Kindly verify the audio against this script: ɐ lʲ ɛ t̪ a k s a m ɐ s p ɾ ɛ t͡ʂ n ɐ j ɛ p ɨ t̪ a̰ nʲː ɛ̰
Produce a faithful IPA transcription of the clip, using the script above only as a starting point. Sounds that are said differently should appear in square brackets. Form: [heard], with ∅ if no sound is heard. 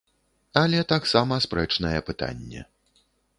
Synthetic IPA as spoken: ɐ lʲ ɛ t̪ a k s a m ɐ s p ɾ ɛ t͡ʂ n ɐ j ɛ p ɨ t̪ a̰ nʲː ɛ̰